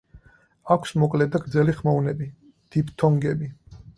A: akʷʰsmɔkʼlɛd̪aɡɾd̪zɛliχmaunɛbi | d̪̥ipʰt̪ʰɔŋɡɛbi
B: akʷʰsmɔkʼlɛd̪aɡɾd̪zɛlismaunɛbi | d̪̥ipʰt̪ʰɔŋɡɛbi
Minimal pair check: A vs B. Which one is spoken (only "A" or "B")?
A